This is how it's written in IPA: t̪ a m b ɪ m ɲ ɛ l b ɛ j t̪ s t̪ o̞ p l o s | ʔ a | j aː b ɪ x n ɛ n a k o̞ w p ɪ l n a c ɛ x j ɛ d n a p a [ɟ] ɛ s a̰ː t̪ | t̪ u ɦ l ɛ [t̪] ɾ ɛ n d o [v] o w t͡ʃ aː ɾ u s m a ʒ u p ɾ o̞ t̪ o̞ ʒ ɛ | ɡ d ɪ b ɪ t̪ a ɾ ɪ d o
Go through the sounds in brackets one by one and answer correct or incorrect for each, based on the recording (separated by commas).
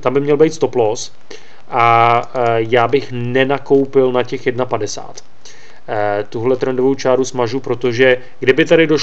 incorrect, correct, correct